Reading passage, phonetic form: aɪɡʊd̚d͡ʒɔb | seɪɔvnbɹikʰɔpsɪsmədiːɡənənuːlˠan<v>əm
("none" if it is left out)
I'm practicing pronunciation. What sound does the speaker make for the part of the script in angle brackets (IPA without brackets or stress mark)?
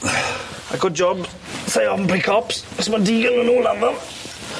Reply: ð